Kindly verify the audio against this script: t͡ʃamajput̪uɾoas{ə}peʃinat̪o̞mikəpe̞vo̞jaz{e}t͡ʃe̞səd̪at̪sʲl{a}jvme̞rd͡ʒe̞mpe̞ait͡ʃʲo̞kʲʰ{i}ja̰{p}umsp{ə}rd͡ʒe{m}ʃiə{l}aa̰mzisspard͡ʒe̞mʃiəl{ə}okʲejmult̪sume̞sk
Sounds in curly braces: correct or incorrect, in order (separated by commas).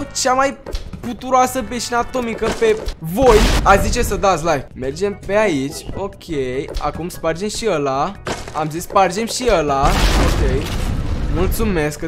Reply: correct, incorrect, correct, incorrect, incorrect, incorrect, correct, correct, incorrect